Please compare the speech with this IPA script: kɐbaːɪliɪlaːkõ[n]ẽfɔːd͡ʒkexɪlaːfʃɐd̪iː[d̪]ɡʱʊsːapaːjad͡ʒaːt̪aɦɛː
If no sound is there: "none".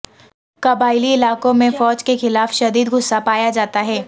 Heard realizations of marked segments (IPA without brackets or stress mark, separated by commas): m, d̪